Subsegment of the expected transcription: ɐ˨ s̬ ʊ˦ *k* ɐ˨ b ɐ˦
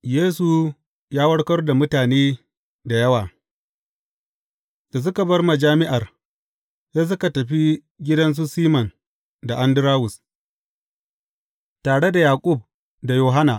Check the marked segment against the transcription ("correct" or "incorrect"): correct